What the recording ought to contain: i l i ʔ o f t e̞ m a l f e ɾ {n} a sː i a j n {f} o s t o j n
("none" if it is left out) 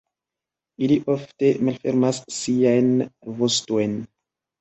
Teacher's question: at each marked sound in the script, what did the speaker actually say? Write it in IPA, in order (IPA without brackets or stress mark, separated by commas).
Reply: m, v